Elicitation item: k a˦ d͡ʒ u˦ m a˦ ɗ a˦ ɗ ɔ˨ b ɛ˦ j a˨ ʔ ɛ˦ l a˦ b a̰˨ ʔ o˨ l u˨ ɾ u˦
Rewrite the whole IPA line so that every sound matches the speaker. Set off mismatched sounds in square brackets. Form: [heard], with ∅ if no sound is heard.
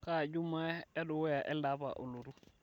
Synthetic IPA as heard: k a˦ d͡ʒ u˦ m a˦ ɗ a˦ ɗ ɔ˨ [w] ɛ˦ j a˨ ʔ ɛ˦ l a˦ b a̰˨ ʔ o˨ l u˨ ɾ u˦

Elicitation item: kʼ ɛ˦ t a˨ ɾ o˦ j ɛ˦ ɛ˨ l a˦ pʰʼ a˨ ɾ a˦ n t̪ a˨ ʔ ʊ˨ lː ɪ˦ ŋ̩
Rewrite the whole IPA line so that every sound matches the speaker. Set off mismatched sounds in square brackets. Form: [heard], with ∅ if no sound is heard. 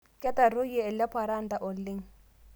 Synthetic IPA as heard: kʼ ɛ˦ t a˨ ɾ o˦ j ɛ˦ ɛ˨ l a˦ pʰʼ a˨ ɾ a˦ n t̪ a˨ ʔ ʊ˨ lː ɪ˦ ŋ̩

